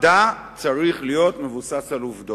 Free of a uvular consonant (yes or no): no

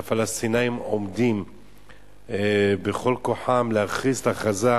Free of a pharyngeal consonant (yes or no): no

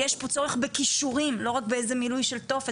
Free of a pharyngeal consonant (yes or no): yes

